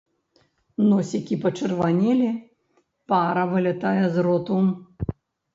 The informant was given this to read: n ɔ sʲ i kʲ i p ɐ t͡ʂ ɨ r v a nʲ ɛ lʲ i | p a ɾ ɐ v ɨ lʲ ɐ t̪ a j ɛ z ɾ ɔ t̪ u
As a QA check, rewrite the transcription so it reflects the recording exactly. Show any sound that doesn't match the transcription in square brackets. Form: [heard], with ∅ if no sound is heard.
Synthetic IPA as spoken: n ɔ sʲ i kʲ i p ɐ t͡ʂ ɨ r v a nʲ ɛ lʲ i | p a ɾ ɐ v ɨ lʲ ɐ t̪ a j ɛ z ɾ ɔ t̪ u

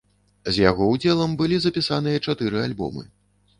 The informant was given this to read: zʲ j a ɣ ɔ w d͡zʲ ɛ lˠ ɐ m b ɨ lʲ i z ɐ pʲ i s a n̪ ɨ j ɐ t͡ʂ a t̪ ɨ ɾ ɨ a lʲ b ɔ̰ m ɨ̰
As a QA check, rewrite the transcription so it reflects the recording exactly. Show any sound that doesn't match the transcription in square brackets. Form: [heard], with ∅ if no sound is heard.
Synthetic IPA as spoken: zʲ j a ɣ ɔ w d͡zʲ ɛ lˠ ɐ m b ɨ lʲ i z ɐ pʲ i s a n̪ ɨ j ɐ t͡ʂ a t̪ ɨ ɾ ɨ a lʲ b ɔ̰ m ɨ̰

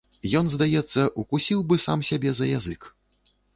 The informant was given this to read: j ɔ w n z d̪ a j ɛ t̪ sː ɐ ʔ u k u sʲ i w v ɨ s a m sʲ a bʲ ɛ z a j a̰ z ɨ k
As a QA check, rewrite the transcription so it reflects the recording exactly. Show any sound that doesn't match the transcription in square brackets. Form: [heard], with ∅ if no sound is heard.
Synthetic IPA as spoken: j ɔ [∅] n z d̪ a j ɛ t̪ sː ɐ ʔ u k u sʲ i w [b] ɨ s a m sʲ a bʲ ɛ z [ɐ] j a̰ z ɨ k

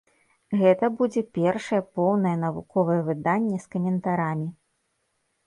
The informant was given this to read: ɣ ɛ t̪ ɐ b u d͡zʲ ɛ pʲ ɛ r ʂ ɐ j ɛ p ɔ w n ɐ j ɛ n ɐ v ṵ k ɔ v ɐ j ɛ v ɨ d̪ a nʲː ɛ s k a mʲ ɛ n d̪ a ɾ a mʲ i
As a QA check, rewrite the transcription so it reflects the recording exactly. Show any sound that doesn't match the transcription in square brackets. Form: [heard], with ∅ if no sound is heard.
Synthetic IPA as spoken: ɣ ɛ t̪ ɐ b u d͡zʲ ɛ pʲ ɛ r ʂ ɐ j ɛ p ɔ w n ɐ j ɛ n ɐ v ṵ k ɔ v ɐ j ɛ v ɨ d̪ a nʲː ɛ s k [ɐ] mʲ ɛ n [t̪] a ɾ a mʲ i

